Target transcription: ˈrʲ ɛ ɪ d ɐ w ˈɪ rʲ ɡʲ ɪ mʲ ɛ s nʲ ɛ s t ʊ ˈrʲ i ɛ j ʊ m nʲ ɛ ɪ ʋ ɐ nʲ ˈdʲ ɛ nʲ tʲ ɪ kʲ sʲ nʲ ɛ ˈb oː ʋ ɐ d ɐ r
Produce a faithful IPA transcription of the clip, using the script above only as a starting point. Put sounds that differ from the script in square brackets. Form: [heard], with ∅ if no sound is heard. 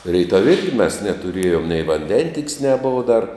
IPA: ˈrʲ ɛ ɪ [t] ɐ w ˈɪ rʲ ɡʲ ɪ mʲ ɛ s nʲ ɛ [∅] t ʊ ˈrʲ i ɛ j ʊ m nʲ ɛ ɪ ʋ ɐ nʲ ˈdʲ ɛ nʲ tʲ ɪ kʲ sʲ nʲ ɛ ˈb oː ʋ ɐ d ɐ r